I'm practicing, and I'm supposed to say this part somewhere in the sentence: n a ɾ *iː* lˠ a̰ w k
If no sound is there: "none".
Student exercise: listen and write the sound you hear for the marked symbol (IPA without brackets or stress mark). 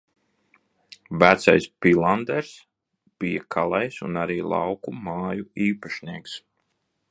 iː